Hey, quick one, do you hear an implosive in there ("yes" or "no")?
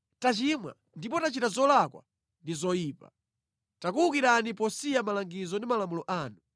no